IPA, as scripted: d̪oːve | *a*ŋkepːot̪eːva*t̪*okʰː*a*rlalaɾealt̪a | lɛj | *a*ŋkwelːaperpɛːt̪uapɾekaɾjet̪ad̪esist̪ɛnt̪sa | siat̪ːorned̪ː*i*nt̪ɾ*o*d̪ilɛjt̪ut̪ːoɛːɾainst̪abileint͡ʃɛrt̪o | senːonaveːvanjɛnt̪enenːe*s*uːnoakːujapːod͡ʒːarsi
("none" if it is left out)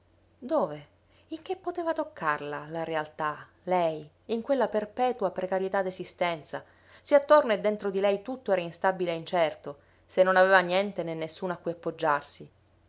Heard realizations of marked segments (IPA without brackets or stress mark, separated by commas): i, t̪, a, i, e, o, sː